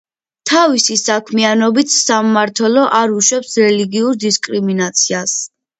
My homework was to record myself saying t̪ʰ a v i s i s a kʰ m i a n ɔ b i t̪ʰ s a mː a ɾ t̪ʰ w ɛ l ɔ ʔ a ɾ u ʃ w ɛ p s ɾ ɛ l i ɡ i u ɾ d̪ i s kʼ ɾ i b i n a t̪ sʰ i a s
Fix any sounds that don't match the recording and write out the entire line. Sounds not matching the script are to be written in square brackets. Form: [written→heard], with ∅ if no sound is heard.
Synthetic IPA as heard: t̪ʰ a v i s i s a kʰ m i a n ɔ b i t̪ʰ s a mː a ɾ t̪ʰ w ɛ l ɔ ʔ a ɾ u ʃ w ɛ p s ɾ ɛ l i ɡ i u ɾ d̪ i s kʼ ɾ i [b→m] i n a t̪ sʰ i a s